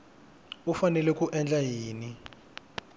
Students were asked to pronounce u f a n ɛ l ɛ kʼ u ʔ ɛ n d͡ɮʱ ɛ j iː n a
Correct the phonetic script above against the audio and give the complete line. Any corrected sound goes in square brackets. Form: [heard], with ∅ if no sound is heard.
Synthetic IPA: u f a n ɛ l ɛ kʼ u ʔ ɛ n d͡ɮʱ [a] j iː n [i]